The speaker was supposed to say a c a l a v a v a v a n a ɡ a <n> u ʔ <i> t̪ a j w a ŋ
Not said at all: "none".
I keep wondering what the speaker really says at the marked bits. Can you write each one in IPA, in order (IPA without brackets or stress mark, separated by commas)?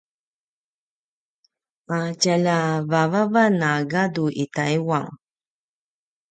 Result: d, i